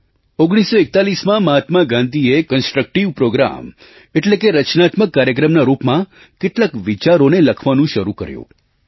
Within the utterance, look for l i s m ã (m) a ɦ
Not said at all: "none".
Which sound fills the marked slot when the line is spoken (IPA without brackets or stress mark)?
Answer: m